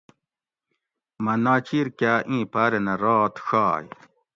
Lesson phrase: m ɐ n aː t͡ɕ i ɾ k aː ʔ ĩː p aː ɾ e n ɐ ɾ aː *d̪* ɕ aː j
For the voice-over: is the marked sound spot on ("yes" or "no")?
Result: no